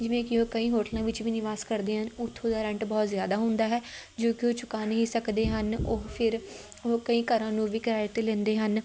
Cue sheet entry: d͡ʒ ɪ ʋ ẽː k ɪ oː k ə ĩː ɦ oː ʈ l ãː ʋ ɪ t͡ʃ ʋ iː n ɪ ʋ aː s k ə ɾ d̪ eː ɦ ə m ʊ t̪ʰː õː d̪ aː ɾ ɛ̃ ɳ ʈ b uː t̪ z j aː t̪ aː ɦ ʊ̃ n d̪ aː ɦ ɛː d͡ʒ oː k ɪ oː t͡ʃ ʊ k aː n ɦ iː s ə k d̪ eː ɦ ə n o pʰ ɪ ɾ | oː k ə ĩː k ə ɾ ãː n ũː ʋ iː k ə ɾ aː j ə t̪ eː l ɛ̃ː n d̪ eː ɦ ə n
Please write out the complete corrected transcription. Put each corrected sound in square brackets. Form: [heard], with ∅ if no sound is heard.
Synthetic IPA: d͡ʒ ɪ ʋ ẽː k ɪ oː k ə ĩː ɦ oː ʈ l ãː ʋ ɪ t͡ʃ ʋ iː n ɪ ʋ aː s k ə ɾ d̪ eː ɦ ə [n] ʊ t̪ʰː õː d̪ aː ɾ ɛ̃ ɳ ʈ b [ɔː] t̪ z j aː [d̪] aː ɦ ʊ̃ n d̪ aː ɦ ɛː d͡ʒ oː k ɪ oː t͡ʃ ʊ k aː n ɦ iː s ə k d̪ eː ɦ ə n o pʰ ɪ ɾ | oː k ə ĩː k ə ɾ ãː n ũː ʋ iː k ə ɾ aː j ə t̪ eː l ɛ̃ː n d̪ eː ɦ ə n